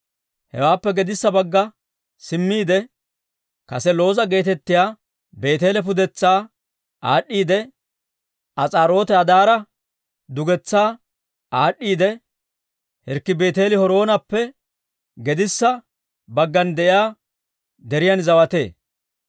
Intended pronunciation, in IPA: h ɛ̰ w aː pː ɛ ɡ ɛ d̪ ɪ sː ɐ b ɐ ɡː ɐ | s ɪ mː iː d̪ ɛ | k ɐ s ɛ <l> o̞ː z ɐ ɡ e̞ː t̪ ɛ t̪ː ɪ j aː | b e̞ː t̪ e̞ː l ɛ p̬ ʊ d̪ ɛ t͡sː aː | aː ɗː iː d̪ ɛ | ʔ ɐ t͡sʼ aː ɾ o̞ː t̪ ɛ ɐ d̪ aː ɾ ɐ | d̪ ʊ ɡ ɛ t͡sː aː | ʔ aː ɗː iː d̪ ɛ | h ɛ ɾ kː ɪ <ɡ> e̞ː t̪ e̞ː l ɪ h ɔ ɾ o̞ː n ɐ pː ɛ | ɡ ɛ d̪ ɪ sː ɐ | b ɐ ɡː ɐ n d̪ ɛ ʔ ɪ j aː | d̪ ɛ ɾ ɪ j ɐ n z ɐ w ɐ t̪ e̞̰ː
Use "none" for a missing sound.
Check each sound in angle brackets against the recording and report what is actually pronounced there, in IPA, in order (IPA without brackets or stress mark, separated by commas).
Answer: l, b